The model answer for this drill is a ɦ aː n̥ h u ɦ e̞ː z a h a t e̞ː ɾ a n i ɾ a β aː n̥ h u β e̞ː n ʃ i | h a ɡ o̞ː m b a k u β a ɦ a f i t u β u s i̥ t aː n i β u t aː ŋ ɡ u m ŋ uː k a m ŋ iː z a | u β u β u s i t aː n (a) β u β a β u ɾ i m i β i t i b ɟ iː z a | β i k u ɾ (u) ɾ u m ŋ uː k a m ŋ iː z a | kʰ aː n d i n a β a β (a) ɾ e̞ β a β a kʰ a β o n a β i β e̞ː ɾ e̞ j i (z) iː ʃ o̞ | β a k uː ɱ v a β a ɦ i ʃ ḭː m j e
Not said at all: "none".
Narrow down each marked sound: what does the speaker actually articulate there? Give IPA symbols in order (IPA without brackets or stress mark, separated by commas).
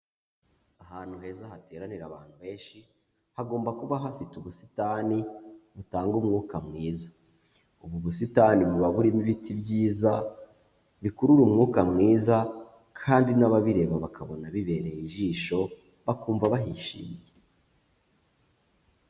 i, u, i, ʒ